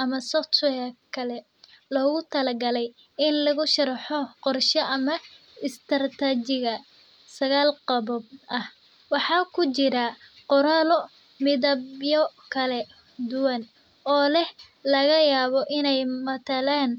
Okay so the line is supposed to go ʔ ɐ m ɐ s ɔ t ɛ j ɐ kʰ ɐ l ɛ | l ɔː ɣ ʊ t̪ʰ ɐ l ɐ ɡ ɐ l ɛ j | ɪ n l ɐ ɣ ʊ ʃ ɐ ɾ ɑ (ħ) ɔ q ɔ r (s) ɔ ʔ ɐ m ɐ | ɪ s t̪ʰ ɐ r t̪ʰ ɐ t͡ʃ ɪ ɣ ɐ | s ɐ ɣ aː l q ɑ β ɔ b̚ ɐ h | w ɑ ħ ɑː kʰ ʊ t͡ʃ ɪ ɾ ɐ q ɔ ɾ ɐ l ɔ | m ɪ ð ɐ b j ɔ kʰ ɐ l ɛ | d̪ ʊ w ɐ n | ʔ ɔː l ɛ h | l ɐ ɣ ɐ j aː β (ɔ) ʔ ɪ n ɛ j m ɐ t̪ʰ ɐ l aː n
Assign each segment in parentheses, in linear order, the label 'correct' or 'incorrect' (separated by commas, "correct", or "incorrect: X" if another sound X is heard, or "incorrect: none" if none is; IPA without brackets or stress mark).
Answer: correct, incorrect: ʃ, correct